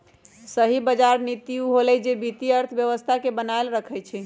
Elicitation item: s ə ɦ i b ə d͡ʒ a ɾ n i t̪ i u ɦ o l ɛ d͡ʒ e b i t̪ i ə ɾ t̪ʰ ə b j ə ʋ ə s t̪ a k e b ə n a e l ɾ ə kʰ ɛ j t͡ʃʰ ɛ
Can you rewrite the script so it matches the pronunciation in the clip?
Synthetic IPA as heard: s ə ɦ i b ə d͡ʒ a ɾ n i t̪ i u ɦ o l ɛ d͡ʒ e b i t̪ i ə ɾ t̪ʰ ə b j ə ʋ ə s t̪ʰ a k e b ə n a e l ɾ ə kʰ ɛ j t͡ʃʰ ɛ